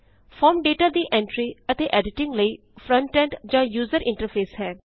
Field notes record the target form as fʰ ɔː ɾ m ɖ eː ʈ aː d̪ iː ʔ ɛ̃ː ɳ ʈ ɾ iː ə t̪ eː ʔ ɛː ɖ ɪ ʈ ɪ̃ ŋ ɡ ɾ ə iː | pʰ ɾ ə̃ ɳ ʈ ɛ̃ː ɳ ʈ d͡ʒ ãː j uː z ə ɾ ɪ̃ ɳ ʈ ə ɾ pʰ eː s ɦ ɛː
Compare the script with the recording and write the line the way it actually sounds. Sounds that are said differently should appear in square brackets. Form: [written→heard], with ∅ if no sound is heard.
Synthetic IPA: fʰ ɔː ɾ m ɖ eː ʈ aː d̪ iː ʔ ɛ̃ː ɳ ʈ ɾ iː ə t̪ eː ʔ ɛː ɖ ɪ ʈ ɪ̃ ŋ ɡ [ɾ→l] ə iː | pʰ ɾ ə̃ ɳ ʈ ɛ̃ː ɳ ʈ d͡ʒ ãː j uː z ə ɾ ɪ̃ ɳ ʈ ə ɾ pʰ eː s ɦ ɛː